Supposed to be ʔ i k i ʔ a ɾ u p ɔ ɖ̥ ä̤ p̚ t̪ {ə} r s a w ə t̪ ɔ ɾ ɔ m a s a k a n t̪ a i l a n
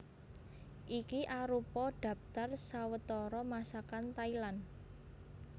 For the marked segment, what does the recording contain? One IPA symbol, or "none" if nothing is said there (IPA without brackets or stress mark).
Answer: a